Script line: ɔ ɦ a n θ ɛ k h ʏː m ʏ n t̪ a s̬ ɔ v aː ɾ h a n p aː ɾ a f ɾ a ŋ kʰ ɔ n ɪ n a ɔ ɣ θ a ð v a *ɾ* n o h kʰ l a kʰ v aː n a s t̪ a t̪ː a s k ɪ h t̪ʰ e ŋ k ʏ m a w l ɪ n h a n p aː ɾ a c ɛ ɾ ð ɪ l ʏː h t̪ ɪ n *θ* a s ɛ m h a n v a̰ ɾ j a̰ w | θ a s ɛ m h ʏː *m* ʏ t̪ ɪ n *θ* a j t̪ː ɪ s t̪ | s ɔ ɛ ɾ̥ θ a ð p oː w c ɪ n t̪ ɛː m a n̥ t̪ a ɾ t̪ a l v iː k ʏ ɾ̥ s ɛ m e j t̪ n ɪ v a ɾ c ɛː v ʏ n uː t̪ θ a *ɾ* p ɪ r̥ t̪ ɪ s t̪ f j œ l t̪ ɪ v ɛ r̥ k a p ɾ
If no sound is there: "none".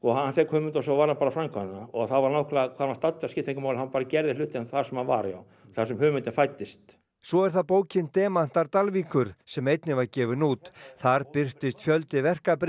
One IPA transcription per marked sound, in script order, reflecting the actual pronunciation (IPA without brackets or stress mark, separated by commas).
ɾ, θ, m, f, ɾ